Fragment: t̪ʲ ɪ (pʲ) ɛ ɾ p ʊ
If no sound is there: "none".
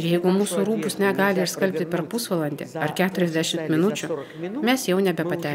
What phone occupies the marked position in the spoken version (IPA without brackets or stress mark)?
pʲ